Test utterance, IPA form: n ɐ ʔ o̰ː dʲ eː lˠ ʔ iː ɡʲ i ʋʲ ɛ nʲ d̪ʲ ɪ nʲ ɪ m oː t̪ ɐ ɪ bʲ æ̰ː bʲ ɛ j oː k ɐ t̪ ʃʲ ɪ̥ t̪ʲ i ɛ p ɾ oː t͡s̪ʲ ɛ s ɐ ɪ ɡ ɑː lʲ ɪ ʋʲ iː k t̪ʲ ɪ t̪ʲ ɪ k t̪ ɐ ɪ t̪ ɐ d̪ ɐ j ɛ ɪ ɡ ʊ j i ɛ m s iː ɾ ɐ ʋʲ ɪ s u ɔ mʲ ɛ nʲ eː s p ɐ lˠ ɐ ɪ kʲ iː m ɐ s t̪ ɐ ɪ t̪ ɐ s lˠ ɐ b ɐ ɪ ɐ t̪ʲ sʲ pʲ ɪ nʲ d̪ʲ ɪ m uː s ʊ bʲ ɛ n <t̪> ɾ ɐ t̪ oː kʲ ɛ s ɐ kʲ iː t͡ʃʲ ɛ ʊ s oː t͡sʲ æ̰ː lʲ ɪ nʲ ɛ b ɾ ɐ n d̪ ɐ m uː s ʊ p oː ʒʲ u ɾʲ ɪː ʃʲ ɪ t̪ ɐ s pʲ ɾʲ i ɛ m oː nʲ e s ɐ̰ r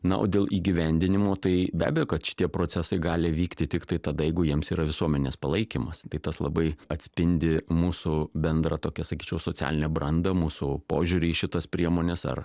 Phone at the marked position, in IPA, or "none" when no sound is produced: d̪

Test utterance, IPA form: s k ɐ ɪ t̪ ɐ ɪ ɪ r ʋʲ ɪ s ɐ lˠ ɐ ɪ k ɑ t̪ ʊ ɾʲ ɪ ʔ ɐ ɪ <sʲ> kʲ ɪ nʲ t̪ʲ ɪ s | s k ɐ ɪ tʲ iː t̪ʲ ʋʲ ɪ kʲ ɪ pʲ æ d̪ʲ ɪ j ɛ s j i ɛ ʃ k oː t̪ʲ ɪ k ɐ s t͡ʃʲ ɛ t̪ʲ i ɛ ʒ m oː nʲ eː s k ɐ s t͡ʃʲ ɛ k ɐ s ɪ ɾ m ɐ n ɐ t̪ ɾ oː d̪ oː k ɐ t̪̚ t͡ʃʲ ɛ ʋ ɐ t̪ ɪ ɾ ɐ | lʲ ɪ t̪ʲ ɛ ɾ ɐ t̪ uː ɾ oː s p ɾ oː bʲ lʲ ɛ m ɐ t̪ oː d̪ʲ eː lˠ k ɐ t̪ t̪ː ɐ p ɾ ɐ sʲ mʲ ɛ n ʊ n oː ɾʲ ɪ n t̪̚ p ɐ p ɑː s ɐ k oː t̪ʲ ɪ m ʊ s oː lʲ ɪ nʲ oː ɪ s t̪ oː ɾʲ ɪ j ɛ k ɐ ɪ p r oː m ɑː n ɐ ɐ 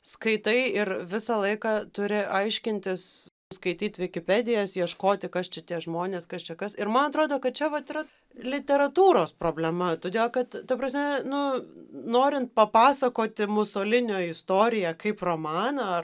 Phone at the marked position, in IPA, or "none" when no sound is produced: ʃʲ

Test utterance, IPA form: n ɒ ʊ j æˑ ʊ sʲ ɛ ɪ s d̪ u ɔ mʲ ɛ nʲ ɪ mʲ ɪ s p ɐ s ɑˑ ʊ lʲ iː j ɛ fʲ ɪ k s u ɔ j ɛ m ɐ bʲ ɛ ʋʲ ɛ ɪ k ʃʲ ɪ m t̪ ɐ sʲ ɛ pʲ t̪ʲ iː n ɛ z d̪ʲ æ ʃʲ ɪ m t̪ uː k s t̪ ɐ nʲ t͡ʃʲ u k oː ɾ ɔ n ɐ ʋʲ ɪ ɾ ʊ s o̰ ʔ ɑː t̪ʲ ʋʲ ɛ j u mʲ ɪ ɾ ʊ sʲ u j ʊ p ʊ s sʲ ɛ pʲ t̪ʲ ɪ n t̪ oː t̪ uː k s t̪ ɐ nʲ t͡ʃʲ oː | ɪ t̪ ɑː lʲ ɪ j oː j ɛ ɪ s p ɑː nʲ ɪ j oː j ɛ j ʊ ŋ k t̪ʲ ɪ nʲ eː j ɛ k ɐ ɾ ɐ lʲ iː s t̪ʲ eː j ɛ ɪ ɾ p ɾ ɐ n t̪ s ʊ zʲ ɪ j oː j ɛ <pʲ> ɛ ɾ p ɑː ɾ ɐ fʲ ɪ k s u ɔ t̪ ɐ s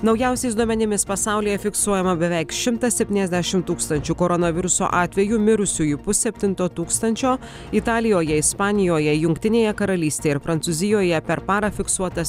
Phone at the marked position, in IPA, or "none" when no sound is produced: pʲ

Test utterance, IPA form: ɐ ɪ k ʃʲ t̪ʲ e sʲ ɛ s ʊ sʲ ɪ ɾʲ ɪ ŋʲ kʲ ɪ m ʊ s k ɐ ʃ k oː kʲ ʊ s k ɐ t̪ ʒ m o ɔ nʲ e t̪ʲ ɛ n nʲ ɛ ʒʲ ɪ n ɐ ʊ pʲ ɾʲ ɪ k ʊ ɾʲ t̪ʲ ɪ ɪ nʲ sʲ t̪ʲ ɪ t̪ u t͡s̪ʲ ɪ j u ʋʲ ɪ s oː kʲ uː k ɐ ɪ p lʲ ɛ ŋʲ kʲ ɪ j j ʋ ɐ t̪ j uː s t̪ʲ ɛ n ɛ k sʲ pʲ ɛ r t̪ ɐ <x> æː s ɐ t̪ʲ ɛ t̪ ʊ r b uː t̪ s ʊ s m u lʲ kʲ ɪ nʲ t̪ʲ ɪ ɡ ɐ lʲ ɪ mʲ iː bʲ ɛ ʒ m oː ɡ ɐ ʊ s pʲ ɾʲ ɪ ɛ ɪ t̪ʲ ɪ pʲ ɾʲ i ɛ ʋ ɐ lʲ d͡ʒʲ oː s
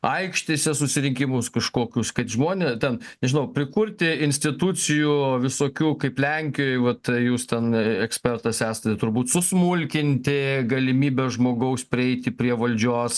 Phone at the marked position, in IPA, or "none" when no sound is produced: s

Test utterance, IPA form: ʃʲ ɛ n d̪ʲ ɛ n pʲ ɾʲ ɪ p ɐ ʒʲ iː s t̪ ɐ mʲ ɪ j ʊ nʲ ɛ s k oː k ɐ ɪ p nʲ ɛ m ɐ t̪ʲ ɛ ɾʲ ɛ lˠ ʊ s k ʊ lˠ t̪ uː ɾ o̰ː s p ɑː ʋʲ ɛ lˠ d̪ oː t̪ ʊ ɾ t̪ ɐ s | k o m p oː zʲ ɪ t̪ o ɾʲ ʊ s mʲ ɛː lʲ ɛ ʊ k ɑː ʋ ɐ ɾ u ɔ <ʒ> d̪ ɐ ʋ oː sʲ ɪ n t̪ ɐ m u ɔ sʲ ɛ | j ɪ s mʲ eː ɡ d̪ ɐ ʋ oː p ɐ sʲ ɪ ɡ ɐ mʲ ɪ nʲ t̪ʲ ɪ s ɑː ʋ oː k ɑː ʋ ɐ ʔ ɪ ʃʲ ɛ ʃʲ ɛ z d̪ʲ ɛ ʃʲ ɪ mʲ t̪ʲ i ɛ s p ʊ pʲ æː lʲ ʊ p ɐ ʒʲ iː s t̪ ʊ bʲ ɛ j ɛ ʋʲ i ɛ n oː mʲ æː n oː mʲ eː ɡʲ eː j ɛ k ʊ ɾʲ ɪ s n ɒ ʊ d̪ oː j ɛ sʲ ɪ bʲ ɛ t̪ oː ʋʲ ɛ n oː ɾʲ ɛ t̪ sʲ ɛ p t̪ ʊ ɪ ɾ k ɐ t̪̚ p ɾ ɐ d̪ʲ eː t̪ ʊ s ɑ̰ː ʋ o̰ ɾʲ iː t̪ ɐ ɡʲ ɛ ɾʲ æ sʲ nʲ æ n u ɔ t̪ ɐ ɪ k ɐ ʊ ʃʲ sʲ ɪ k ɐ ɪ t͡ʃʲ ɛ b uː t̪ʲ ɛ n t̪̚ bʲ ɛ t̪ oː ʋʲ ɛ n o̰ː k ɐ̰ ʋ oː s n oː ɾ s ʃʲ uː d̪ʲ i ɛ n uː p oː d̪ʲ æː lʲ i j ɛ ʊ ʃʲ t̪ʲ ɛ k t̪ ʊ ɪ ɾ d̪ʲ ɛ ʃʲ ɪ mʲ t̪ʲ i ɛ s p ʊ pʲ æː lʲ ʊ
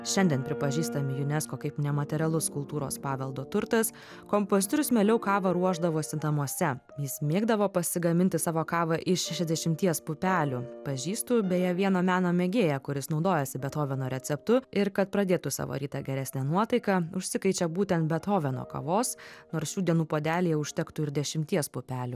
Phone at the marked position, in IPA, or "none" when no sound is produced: ʒ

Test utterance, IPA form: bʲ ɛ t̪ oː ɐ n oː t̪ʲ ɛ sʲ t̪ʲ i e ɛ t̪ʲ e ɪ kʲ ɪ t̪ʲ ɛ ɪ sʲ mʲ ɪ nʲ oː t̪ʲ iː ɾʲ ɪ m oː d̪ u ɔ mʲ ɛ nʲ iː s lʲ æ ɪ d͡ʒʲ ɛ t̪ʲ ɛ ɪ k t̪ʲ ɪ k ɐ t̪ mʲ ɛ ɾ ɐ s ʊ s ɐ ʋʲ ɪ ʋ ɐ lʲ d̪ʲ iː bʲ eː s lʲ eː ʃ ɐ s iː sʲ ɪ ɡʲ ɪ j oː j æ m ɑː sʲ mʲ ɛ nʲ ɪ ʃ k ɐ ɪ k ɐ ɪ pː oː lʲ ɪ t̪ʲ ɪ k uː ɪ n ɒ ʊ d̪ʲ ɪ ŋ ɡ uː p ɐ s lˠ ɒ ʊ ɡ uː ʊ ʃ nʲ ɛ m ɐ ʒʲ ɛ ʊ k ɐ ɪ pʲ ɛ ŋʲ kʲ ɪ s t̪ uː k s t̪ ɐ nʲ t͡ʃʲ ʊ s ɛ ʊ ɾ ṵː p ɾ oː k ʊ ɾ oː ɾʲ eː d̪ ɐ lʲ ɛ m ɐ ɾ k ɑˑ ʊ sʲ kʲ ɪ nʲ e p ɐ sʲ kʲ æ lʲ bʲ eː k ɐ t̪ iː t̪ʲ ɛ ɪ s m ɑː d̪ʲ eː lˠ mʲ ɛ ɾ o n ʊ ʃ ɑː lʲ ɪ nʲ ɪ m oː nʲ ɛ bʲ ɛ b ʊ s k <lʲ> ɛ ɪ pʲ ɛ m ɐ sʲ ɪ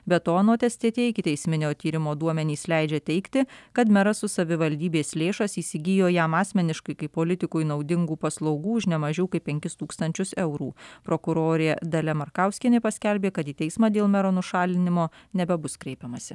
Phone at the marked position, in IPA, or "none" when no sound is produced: ɾʲ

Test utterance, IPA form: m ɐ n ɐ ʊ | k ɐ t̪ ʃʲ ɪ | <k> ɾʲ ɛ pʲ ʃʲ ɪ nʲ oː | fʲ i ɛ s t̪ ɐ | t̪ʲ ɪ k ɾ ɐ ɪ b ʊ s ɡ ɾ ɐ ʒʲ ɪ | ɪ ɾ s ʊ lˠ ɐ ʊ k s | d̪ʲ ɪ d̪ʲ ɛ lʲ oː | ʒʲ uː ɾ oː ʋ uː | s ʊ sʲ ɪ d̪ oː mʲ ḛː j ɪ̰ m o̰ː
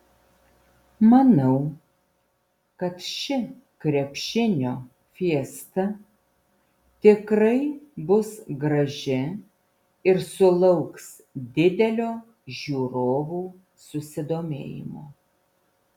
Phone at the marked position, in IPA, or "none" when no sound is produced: k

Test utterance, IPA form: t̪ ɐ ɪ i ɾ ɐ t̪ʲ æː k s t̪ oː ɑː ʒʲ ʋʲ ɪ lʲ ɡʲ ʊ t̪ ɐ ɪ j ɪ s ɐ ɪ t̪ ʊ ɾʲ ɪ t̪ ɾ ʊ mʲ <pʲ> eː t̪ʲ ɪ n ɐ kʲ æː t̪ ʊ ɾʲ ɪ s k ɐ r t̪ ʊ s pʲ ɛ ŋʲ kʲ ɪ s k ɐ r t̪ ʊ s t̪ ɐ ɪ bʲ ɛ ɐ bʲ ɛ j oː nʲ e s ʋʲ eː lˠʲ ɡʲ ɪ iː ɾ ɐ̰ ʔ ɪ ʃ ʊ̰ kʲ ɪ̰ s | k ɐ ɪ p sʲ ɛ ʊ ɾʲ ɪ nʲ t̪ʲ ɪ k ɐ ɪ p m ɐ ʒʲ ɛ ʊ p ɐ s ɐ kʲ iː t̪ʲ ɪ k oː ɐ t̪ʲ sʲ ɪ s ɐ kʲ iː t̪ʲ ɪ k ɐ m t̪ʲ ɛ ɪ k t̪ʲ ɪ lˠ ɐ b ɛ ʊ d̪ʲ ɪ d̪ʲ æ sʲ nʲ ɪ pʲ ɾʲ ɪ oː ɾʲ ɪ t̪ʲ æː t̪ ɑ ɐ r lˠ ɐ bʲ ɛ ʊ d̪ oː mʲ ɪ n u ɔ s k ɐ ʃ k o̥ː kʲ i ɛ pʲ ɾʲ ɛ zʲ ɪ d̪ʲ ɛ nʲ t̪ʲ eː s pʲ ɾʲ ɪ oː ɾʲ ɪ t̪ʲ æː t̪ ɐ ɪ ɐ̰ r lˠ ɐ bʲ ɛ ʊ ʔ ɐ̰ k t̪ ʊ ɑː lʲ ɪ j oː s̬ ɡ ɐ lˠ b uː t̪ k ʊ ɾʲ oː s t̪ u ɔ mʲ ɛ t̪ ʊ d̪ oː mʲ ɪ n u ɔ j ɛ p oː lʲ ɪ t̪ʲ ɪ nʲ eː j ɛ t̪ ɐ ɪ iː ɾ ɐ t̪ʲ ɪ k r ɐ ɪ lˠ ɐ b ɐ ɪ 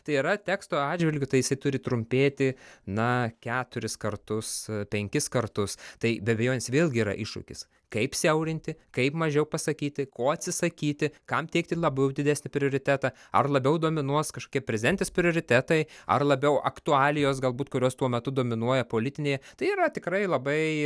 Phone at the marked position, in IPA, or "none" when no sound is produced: pʲ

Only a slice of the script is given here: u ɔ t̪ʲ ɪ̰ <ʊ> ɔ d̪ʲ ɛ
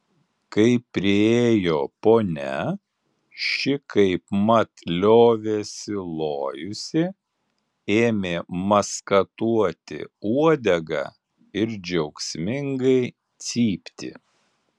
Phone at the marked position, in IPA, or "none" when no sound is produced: u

